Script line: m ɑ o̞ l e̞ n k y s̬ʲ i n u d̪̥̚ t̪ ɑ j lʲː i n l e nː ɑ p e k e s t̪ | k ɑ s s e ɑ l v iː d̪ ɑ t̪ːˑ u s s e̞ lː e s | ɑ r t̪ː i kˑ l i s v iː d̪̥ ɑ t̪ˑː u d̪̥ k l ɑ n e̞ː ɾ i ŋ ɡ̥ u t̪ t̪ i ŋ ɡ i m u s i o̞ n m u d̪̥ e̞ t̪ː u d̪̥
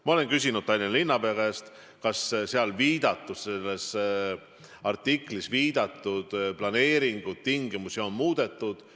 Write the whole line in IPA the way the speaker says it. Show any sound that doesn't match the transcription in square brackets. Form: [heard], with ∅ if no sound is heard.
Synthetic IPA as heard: m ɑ o̞ l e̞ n k y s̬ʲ i n u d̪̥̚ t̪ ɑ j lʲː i n l [i] nː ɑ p e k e s t̪ | k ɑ s s e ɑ l v iː d̪ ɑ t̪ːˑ u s s e̞ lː e s | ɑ r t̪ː i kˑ l i s v iː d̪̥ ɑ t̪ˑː u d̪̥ [p] l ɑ n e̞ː ɾ i ŋ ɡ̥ u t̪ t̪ i ŋ ɡ i m u s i o̞ n m [uː] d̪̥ e̞ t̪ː u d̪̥